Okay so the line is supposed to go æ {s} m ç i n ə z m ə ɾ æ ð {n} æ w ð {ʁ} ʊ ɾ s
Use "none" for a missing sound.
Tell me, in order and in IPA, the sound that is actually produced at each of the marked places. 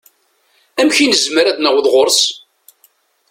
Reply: none, n, ʁ

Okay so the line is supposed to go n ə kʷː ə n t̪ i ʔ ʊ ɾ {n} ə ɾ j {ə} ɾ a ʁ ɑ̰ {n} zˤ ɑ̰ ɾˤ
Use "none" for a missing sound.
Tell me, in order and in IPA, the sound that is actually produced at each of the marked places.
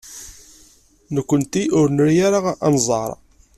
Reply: n, a, n

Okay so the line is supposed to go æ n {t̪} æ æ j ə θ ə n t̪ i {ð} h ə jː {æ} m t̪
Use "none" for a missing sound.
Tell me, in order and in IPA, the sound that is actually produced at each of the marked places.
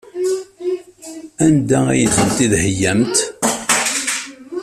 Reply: d̪, ð, æ

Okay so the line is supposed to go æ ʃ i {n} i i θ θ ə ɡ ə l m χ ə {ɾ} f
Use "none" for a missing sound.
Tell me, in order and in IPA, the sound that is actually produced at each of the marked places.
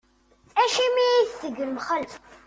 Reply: m, l

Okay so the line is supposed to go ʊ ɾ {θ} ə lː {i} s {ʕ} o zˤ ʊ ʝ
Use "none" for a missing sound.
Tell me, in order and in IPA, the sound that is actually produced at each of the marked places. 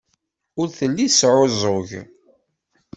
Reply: θ, i, ʕ

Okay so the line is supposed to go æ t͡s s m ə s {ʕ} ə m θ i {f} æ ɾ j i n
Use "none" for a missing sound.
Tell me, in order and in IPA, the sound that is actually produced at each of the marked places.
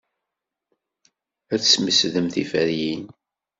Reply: ð, f

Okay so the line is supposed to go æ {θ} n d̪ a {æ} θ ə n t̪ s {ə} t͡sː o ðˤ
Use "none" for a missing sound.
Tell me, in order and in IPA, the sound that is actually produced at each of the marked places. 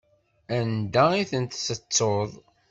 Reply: none, i, ə

